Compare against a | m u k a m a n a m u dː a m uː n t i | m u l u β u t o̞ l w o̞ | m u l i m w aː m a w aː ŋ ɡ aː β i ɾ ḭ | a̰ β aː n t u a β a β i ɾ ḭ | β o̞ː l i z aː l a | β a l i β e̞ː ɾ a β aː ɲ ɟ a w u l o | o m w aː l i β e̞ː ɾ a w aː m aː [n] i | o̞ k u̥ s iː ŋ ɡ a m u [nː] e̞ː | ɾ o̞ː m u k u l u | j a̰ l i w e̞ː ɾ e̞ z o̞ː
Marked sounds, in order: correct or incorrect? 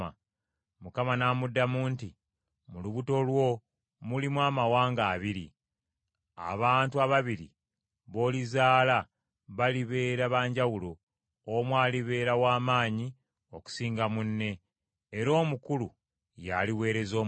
incorrect: ɲ, correct

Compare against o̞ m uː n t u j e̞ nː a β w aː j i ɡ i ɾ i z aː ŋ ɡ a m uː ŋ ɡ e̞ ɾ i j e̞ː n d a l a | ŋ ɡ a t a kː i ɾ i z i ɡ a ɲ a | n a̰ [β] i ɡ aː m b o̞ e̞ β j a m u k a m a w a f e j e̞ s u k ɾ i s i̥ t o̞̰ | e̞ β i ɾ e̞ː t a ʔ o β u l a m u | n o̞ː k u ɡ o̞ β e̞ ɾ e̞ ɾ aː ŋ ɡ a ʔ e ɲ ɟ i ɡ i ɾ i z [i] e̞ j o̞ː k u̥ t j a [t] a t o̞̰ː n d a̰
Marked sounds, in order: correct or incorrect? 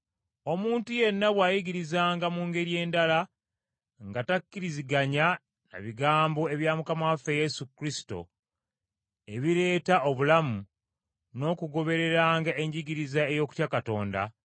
correct, incorrect: a, incorrect: k

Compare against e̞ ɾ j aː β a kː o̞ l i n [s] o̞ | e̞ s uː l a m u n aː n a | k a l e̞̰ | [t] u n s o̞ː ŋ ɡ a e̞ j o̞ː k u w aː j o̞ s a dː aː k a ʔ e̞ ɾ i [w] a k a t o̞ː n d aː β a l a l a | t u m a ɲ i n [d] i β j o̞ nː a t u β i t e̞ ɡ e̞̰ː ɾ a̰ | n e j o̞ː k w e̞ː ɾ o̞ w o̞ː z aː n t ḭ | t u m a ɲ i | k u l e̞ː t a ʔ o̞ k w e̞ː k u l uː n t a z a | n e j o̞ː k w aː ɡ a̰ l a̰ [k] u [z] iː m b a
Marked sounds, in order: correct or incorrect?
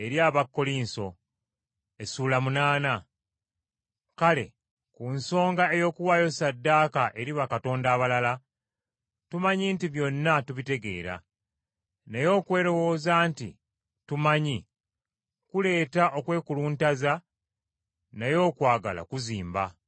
correct, incorrect: k, incorrect: β, incorrect: t, correct, correct

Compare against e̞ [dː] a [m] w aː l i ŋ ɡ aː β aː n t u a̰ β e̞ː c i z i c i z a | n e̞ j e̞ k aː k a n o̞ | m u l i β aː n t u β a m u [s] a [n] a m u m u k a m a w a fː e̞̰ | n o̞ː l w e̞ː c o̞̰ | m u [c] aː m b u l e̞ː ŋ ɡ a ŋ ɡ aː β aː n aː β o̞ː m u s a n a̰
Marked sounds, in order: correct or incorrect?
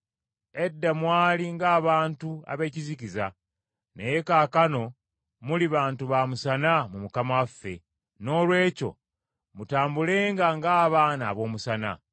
correct, correct, correct, correct, incorrect: t

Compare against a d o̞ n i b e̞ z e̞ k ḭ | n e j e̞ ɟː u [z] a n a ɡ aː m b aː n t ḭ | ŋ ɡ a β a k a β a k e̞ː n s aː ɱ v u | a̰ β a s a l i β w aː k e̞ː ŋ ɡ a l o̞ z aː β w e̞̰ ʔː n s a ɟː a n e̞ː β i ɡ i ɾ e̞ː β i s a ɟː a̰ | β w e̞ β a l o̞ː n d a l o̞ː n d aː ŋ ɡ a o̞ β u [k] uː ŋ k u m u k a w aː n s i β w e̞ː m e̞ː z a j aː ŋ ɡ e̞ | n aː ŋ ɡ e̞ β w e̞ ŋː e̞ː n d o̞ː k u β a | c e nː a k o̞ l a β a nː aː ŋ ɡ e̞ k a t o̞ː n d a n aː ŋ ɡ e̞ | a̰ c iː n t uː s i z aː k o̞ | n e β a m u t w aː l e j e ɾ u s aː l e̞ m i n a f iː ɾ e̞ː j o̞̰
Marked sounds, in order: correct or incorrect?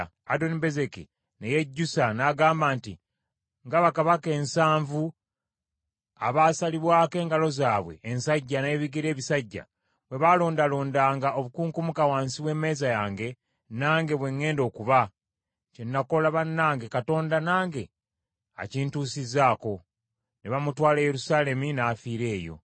incorrect: s, correct

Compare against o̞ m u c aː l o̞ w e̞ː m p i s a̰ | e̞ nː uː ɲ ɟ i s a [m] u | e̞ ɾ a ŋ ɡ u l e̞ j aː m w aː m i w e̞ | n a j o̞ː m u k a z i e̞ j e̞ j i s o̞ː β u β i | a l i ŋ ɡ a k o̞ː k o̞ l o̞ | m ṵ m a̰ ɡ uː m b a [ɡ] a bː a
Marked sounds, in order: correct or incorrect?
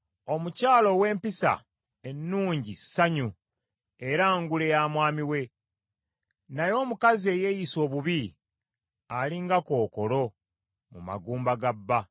incorrect: ɲ, correct

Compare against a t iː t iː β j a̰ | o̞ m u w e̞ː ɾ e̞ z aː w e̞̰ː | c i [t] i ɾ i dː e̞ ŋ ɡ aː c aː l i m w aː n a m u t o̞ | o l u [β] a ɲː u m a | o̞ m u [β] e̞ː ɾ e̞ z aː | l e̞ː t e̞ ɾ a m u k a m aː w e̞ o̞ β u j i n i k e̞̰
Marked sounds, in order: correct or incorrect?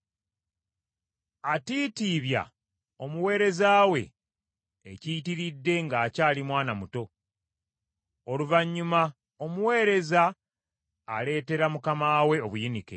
correct, incorrect: v, incorrect: w

